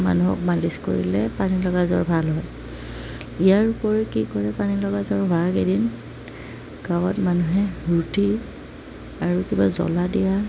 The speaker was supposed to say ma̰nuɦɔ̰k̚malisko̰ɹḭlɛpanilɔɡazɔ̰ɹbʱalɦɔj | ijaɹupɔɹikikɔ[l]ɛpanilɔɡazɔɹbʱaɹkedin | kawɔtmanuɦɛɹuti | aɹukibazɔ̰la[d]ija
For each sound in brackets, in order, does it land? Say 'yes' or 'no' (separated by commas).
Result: no, yes